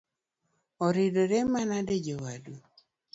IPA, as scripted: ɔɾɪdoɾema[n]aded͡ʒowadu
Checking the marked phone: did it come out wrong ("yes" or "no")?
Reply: no